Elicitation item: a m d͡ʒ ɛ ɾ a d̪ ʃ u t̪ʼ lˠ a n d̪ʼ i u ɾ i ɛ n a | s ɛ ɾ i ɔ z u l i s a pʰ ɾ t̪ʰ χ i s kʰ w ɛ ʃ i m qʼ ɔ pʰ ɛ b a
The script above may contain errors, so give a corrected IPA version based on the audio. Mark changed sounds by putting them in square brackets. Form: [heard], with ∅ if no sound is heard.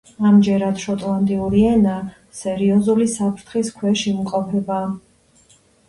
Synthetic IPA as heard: a m d͡ʒ ɛ ɾ a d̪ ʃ [ɔ] t̪ʼ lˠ a n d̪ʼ i u ɾ i ɛ n a | s ɛ ɾ i ɔ z u l i s a pʰ ɾ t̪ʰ χ i s kʰ w ɛ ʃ i m qʼ ɔ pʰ ɛ b a